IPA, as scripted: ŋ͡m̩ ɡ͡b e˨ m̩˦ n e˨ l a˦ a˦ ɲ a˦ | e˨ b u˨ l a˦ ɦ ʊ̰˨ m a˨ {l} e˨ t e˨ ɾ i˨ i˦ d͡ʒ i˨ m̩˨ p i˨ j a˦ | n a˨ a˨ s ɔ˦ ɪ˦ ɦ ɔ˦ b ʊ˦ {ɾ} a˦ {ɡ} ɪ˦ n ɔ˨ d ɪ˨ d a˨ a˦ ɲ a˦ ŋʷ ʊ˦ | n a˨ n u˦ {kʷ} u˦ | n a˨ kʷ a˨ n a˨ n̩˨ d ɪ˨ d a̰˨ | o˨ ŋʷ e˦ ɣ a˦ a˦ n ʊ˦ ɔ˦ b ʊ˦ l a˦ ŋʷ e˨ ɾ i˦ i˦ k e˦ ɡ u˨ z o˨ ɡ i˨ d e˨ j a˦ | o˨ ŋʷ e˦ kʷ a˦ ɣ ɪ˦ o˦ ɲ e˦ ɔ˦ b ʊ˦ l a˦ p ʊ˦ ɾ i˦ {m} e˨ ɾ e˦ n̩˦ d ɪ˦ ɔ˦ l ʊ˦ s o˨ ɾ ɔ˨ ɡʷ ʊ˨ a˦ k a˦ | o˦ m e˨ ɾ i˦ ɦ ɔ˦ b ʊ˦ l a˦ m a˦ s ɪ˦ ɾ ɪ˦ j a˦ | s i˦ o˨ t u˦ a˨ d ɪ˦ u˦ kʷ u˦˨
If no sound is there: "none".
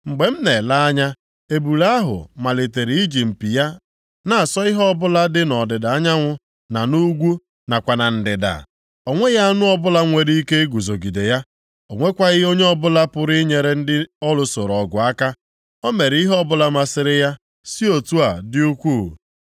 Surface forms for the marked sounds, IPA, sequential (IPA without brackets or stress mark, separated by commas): l, l, d, ɡʷ, ɲ